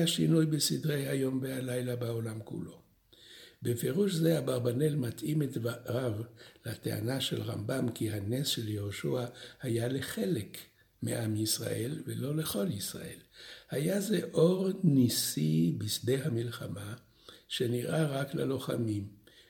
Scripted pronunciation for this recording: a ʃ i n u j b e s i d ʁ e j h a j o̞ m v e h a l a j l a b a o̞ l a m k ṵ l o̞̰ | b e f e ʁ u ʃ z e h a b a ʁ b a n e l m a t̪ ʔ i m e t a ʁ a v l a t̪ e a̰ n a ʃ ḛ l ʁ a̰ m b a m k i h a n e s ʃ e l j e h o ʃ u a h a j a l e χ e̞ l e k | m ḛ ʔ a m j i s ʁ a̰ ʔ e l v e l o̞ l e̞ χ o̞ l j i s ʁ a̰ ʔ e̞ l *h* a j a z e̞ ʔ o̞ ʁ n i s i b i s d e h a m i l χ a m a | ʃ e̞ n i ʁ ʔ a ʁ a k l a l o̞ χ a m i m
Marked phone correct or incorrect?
correct